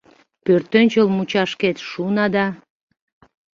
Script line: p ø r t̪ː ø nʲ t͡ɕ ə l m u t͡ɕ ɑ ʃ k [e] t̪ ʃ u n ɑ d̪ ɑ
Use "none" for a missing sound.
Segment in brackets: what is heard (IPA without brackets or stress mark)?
e